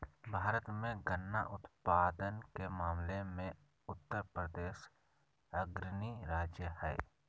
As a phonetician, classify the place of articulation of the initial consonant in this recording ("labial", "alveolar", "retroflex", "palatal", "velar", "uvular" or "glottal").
labial